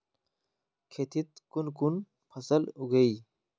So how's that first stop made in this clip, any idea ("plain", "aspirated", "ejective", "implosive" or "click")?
aspirated